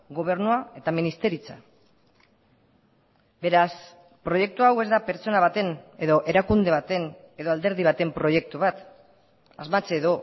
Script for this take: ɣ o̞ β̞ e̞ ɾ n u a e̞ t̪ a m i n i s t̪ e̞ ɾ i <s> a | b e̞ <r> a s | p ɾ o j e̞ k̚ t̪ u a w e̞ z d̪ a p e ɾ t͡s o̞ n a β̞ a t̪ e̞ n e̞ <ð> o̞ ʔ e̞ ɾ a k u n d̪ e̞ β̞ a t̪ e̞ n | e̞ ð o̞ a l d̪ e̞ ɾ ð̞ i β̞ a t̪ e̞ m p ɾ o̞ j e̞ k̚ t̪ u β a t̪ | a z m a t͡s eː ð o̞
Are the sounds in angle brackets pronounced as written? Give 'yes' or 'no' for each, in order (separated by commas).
no, no, yes